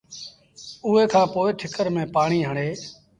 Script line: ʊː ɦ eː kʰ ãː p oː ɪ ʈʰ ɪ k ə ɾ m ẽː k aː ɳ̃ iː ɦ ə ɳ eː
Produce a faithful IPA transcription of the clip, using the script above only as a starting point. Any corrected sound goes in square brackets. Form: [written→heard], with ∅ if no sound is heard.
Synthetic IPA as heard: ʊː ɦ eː kʰ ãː p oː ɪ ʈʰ ɪ k ə ɾ m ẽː [k→p] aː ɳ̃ iː ɦ ə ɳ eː